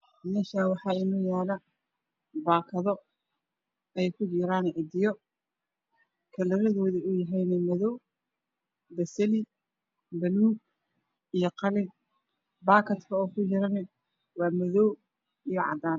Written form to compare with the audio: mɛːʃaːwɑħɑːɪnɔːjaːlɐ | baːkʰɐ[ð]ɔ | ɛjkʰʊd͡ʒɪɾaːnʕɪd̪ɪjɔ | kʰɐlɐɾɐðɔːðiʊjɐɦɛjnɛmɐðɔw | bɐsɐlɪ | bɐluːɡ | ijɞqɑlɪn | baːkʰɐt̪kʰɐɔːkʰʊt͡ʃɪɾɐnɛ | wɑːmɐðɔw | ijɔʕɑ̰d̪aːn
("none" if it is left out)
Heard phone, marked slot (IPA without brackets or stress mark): ð